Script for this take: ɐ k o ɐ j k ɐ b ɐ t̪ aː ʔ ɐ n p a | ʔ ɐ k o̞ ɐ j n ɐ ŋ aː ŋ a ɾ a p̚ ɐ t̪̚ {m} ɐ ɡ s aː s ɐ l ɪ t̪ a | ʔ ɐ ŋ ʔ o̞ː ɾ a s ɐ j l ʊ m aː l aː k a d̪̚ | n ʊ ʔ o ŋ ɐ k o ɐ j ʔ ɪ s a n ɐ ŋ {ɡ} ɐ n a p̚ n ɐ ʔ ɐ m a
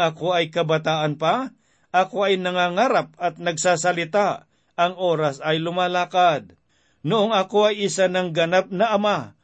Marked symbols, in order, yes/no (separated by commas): no, yes